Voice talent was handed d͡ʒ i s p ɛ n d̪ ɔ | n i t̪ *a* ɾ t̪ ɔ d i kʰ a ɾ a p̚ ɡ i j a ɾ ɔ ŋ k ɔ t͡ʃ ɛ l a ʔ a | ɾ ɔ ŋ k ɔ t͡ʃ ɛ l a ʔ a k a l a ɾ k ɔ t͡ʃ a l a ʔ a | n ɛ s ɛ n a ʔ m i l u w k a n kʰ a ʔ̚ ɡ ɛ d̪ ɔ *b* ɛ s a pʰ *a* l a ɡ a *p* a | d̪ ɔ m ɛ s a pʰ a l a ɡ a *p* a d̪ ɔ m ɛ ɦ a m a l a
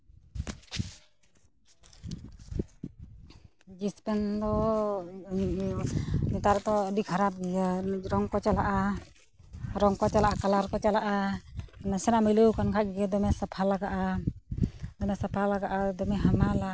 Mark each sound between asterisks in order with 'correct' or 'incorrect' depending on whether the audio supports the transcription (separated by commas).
correct, incorrect, correct, incorrect, incorrect